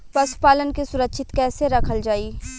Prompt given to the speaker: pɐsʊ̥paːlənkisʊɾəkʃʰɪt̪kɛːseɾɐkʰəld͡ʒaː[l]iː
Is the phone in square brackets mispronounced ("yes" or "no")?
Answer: yes